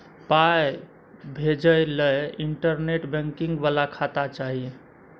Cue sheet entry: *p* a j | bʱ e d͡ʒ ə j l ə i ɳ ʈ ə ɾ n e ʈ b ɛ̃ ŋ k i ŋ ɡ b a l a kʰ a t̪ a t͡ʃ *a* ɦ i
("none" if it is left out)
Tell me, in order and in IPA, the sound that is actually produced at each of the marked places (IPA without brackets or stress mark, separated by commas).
p, a